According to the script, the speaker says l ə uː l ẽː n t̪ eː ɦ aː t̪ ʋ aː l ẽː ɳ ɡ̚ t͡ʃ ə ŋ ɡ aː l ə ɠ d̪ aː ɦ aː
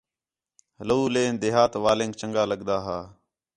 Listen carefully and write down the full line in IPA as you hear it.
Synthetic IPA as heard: l ə uː l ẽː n d̪ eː ɦ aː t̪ ʋ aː l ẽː ŋ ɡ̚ t͡ʃ ə ŋ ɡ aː l ə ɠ d̪ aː ɦ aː